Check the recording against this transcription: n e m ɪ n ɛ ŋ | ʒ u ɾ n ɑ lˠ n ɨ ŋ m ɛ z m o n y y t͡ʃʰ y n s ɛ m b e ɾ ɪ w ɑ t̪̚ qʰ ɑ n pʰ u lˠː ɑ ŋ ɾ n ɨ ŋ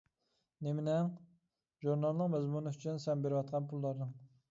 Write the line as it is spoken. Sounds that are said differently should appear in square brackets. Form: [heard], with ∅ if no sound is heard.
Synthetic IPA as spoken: n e m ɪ n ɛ ŋ | ʒ u ɾ n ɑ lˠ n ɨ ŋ m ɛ z m [u] n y y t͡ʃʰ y n s ɛ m b e ɾ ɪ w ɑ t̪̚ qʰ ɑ n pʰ u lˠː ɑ [∅] ɾ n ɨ ŋ